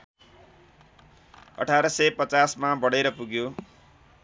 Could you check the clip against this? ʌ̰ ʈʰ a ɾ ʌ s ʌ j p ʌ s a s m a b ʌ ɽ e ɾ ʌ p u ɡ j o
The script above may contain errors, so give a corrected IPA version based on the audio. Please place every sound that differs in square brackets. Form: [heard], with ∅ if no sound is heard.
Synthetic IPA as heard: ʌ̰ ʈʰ a ɾ ʌ s ʌ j p ʌ [t͡s] a s m a b ʌ ɽ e ɾ ʌ p u ɡ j o